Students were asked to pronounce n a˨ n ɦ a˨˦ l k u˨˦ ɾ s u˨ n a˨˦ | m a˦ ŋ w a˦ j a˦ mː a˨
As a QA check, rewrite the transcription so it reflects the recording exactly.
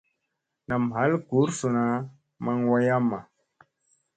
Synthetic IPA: n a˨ m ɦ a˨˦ l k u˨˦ ɾ s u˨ n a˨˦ | m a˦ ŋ w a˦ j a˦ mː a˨